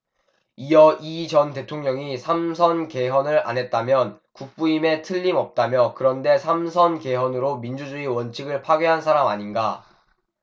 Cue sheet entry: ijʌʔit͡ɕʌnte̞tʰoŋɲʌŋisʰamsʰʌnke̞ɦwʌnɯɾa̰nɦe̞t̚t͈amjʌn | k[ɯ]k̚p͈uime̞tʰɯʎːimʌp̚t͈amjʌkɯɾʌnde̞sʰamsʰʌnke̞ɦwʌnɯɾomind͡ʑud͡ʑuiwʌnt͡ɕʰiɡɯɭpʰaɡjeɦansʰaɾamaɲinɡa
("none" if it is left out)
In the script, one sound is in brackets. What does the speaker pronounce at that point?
u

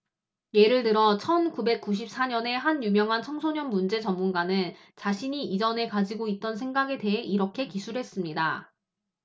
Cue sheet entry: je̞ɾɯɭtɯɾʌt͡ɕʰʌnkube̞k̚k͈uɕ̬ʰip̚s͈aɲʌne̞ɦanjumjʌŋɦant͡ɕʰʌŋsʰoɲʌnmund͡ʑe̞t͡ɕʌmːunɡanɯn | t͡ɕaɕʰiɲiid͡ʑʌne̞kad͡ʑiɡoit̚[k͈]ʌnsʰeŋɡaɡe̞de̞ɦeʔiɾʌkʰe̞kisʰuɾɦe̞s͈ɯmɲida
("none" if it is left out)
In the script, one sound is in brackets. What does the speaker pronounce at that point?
t͈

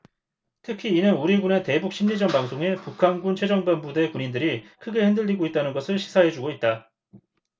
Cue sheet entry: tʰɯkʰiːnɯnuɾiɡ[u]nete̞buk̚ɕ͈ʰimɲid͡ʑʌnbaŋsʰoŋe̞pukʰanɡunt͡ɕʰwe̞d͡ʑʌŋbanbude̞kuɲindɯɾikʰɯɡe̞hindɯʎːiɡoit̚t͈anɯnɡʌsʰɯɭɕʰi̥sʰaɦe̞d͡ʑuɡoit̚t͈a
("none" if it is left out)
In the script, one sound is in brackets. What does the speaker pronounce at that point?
u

